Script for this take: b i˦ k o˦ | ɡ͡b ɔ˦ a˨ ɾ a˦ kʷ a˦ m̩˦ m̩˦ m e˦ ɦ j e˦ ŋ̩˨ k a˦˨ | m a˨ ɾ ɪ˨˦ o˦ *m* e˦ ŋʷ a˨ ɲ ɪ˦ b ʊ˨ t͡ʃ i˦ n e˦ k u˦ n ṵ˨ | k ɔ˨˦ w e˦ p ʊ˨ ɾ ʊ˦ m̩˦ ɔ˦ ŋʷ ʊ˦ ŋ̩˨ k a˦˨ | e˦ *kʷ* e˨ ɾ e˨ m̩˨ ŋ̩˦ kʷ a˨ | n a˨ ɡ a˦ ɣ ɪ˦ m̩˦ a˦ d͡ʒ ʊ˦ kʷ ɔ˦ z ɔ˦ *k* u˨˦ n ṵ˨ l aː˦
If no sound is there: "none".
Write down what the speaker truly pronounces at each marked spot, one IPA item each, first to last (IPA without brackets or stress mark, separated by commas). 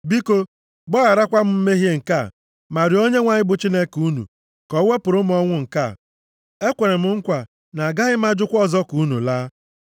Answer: ɲ, kʷ, k